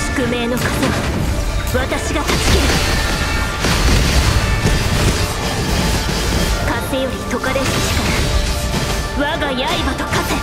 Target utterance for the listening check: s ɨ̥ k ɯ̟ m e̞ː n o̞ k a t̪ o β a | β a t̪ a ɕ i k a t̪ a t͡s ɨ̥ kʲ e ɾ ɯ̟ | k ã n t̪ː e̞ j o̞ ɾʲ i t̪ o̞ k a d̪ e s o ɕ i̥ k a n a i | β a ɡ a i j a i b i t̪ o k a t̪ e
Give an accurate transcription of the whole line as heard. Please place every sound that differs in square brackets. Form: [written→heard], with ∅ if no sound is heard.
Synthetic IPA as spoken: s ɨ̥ k ɯ̟ m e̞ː n o̞ k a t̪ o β a | β a t̪ a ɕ i [k→ɡ] a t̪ a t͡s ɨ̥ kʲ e ɾ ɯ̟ | k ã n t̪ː e̞ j o̞ ɾʲ i t̪ o̞ k a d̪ e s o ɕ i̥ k a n a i | β a ɡ a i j a i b [i→a] t̪ o k a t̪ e